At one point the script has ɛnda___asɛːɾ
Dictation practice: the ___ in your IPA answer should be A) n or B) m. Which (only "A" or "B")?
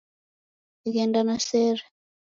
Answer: A